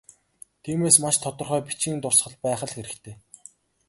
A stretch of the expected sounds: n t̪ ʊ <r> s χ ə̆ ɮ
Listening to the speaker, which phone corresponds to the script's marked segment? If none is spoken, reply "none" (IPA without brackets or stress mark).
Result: r